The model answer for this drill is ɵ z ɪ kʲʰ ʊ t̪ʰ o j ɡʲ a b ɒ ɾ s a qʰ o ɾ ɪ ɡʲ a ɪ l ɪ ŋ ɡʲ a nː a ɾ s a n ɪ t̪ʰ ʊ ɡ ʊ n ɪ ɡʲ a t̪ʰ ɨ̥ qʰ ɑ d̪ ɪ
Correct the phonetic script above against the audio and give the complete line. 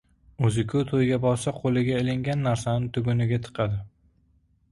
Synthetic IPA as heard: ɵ z ɪ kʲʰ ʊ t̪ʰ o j ɡʲ a b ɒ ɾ s a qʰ o l ɪ ɡʲ a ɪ l ɪ ŋ ɡʲ a nː a ɾ s a n ɪ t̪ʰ ʊ ɡ ʊ n ɪ ɡʲ a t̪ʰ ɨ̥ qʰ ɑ d̪ ɪ

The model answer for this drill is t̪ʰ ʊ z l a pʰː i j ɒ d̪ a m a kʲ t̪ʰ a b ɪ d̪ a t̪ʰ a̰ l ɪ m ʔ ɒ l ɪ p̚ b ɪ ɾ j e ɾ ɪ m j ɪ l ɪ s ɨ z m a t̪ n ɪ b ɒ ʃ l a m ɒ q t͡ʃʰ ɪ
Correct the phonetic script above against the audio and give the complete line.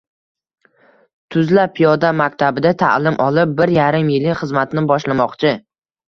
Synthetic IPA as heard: t̪ʰ ʊ z l a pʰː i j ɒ d̪ a m a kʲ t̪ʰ a b ɪ d̪ a t̪ʰ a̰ l ɪ m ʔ ɒ l ɪ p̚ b ɪ ɾ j a ɾ ɪ m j ɪ l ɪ χ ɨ z m a t̪ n ɪ b ɒ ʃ l a m ɒ q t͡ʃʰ ɪ

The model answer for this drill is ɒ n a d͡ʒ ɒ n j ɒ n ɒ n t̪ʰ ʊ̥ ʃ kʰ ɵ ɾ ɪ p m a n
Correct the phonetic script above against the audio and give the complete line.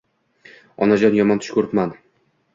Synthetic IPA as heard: ɒ n a d͡ʒ ɒ n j ɒ m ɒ n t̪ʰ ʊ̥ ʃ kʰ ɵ ɾ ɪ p m a n

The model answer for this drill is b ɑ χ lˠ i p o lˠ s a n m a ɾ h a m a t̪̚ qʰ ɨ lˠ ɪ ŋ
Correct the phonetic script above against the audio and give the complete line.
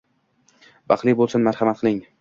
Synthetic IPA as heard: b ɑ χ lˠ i b o lˠ s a n m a ɾ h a m a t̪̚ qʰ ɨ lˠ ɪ ŋ

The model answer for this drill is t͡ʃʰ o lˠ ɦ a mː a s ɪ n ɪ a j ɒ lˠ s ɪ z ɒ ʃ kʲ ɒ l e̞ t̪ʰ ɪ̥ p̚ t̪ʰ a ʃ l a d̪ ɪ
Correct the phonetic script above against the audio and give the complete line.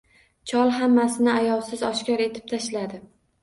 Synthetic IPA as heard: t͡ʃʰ ɒ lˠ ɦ a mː a s ɪ n ɪ a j ɒ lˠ s ɪ z ɒ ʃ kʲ ɒ ɾ e̞ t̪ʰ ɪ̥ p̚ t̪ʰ a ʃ l a d̪ ɪ

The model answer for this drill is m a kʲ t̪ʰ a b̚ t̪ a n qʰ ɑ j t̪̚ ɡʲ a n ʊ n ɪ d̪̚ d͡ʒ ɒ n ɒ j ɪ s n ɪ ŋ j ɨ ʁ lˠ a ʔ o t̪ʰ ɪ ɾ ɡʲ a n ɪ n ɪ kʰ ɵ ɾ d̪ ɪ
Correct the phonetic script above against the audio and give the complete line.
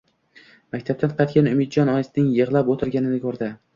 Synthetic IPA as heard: m a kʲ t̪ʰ a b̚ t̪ a n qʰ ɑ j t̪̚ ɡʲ a n ʊ m ɪ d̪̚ d͡ʒ ɒ n ɒ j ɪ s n ɪ ŋ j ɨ ʁ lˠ a p o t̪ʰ ɪ ɾ ɡʲ a n ɪ n ɪ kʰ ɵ ɾ d̪ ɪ

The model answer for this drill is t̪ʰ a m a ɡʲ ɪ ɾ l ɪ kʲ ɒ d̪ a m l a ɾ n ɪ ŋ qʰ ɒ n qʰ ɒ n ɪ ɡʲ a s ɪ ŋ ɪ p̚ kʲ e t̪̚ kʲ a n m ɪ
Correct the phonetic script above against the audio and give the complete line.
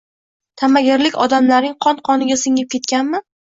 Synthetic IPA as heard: t̪ʰ a m a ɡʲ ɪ ɾ l ɪ kʲ ɒ d̪ a m l a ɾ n ɪ ŋ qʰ ɒ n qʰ ɒ n ɪ ɡʲ a s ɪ ŋ ɪ p̚ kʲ e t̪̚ kʲ a n m ɪ

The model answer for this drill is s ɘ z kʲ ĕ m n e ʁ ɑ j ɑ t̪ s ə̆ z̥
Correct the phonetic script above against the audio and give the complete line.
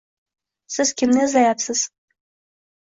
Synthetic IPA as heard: s ɘ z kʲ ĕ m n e z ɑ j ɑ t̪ s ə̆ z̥

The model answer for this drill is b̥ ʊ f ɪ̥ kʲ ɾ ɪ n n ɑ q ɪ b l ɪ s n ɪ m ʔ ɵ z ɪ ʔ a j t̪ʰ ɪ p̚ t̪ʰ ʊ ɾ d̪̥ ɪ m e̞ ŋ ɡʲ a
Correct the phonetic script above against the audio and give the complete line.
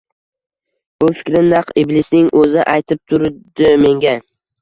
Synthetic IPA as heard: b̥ ʊ f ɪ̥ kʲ ɾ ɪ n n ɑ q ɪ b l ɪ s n ɪ ŋ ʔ ɵ z ɪ ʔ a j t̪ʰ ɪ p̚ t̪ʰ ʊ ɾ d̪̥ ɪ m e̞ ŋ ɡʲ a

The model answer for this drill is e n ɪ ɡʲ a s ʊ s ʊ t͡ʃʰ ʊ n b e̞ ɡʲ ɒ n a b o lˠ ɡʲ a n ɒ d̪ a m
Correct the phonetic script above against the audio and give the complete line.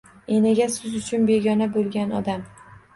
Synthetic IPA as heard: e n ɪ ɡʲ a s ʊ z ʊ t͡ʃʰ ʊ n b e̞ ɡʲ ɒ n a b o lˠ ɡʲ a n ɒ d̪ a m

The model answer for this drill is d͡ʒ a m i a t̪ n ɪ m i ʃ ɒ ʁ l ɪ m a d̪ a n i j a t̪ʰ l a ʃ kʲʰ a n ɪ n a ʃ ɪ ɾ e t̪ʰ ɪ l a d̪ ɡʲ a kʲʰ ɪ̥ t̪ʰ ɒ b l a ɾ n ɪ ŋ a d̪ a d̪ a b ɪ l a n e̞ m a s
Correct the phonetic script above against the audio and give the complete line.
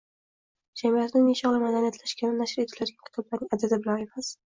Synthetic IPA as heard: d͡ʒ a m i a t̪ n ɪ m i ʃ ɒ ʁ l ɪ m a d̪ a n i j a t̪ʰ l a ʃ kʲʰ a n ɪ n a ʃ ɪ ɾ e t̪ʰ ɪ l a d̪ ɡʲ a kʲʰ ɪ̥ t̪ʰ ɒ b l a ɾ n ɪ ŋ a d̪ a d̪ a b ɪ l a n e̞ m a s

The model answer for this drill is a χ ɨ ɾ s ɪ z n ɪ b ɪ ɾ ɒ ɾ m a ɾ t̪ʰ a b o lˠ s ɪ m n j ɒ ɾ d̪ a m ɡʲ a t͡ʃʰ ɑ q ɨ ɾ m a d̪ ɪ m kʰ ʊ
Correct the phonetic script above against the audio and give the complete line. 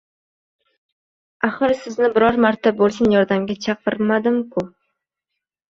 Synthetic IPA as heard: a χ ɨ ɾ s ɪ z n ɪ b ɪ ɾ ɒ ɾ m a ɾ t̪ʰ a b o lˠ s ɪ n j ɒ ɾ d̪ a m ɡʲ a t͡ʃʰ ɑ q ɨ ɾ m a d̪ ɪ m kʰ ʊ

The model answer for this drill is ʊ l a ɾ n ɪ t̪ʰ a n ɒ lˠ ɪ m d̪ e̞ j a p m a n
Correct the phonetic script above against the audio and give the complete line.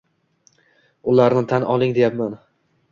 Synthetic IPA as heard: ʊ l a ɾ n ɪ t̪ʰ a n ɒ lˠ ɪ ŋ d̪ e̞ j a p m a n

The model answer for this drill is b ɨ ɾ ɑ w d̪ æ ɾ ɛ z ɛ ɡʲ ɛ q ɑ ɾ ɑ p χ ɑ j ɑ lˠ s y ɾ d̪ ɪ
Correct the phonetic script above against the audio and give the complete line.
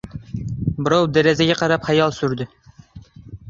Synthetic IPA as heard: b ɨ ɾ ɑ w d̪ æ ɾ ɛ z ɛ ɡʲ ɛ q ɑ ɾ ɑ p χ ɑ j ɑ lˠ s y ɾ d̪ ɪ

